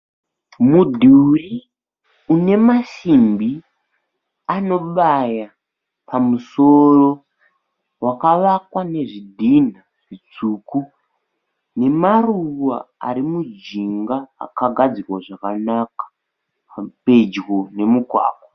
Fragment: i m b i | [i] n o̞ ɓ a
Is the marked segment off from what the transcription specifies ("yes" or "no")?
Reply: yes